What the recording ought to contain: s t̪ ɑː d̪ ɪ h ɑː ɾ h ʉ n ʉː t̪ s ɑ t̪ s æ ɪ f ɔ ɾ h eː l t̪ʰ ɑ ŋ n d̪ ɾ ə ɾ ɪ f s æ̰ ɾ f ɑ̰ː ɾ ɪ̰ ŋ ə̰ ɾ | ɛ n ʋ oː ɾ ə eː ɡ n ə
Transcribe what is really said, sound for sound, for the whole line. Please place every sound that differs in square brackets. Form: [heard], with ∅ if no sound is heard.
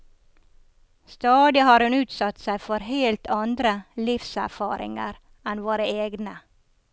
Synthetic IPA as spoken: s t̪ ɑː d̪ ɪ h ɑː ɾ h ʉ n ʉː t̪ s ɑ t̪ s æ ɪ f ɔ ɾ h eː l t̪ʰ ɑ [∅] n d̪ ɾ ə [l] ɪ f s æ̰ ɾ f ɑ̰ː ɾ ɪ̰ ŋ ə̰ ɾ | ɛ n ʋ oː ɾ ə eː ɡ n ə